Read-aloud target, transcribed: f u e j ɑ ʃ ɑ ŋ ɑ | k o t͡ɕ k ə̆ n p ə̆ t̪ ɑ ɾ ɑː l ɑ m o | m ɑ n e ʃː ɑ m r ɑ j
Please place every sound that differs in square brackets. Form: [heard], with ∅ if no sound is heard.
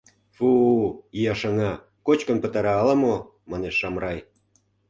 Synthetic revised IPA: f u [i] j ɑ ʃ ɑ ŋ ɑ | k o t͡ɕ k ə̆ n p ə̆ t̪ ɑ ɾ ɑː l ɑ m o | m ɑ n e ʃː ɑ m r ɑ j